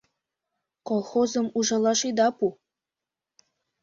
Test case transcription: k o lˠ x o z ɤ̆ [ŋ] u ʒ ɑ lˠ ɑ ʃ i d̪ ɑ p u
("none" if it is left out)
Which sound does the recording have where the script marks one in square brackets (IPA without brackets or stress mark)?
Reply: m